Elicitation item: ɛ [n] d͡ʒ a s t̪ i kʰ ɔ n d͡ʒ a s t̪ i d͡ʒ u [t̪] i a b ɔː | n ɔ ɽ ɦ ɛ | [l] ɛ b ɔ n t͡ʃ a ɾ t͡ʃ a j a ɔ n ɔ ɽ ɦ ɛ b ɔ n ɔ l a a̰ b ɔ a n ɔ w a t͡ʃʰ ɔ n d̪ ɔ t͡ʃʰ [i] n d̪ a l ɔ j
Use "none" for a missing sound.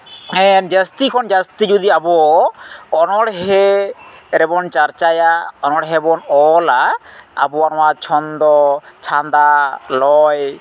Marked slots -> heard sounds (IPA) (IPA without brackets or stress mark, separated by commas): n, d̪, ɾ, a